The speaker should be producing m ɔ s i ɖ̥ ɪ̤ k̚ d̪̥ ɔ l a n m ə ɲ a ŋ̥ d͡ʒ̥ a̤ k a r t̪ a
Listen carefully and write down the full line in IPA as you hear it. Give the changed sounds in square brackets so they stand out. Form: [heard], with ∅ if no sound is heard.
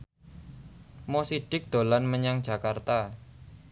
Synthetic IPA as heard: m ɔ s i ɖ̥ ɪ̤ k̚ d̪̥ [o] l a n m ə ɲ a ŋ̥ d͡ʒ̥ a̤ k a r t̪ a